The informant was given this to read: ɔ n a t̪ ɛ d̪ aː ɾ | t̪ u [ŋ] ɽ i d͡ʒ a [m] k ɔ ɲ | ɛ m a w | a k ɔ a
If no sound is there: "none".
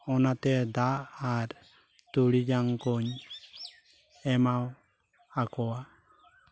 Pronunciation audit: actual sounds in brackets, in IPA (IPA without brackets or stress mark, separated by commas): none, ŋ